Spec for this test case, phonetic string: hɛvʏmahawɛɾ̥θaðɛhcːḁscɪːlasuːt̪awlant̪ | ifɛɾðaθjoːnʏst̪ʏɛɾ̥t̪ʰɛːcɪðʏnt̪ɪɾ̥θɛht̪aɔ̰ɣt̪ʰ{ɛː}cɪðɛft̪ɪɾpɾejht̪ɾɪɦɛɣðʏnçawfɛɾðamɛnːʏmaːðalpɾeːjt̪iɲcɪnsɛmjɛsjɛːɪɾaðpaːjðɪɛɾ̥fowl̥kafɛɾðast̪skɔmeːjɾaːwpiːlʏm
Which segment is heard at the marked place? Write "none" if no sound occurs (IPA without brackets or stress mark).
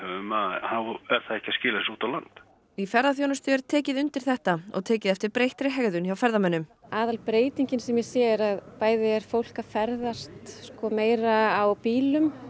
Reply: ɛː